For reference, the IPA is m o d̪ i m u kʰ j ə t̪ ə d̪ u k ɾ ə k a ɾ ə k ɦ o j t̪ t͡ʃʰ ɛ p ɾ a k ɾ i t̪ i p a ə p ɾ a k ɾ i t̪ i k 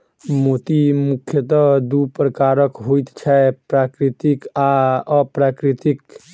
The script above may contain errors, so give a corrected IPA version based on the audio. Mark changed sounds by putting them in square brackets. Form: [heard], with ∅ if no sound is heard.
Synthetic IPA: m o [t̪] i m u kʰ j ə t̪ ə d̪ u [p] ɾ ə k a ɾ ə k ɦ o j t̪ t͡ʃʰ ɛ p ɾ a k ɾ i t̪ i [k] a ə p ɾ a k ɾ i t̪ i k